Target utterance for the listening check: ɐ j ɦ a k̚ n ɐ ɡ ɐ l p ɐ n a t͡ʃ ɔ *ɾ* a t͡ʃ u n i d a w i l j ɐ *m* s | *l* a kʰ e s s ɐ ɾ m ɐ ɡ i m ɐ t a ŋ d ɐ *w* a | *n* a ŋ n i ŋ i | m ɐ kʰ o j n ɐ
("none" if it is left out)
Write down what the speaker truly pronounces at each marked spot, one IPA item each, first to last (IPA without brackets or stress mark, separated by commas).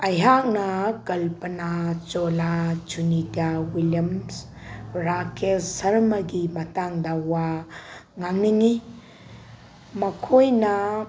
l, m, ɾ, w, ŋ